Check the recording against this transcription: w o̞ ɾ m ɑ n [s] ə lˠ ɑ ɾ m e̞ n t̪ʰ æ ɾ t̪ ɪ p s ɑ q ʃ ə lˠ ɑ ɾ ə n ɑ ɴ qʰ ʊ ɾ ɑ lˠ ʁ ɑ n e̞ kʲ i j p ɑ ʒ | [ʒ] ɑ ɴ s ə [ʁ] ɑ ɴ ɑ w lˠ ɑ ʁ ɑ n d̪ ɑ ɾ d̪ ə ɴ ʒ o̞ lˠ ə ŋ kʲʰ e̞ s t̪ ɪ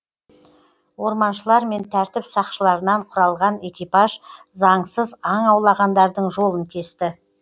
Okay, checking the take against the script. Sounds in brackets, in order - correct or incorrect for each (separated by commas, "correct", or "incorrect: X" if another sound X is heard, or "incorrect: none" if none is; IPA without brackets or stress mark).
incorrect: ʃ, incorrect: z, incorrect: z